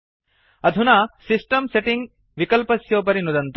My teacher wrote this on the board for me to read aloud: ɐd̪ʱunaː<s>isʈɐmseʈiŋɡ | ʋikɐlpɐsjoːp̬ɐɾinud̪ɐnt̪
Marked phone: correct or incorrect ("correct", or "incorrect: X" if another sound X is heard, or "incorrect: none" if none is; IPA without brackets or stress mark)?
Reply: correct